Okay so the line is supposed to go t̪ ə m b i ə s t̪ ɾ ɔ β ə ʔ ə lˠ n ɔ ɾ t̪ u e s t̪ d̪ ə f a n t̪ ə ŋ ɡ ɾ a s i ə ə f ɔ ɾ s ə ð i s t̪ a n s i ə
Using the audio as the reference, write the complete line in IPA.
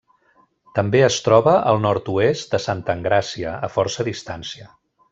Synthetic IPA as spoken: t̪ ə m b e ə s t̪ ɾ ɔ β ə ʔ ə lˠ n ɔ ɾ t̪ u e s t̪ d̪ ə s a n t̪ ə ŋ ɡ ɾ a s i ə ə f ɔ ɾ s ə ð i s t̪ a n s i ə